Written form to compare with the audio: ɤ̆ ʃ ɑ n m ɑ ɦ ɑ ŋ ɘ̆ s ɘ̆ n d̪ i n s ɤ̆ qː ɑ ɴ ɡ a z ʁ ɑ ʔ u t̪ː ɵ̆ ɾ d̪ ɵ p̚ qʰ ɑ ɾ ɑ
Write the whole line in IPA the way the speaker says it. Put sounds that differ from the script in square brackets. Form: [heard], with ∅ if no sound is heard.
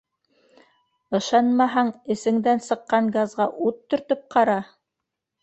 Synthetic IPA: ɤ̆ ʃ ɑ n m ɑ ɦ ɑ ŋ ɘ̆ s ɘ̆ [ŋ] d̪ [æ] n s ɤ̆ qː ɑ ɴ ɡ a z ʁ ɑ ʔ u t̪ː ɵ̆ ɾ [t̪] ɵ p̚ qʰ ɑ ɾ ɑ